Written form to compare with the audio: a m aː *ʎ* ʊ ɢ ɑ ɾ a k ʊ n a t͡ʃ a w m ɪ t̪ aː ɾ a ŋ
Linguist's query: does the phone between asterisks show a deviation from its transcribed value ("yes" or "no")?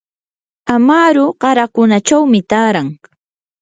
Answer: yes